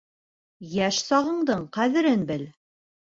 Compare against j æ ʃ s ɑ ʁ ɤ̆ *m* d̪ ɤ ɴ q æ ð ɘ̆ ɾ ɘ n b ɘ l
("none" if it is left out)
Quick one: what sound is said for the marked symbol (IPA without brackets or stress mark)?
ɴ